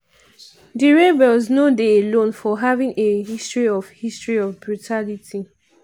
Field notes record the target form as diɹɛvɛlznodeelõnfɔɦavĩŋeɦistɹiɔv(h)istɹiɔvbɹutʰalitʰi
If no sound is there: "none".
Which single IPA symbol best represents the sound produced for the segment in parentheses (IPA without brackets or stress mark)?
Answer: h